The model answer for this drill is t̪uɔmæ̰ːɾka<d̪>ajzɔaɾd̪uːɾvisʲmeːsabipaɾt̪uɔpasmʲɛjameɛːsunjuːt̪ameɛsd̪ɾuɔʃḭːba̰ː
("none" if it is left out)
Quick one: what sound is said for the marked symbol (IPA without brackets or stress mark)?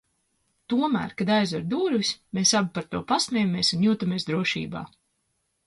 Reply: d̪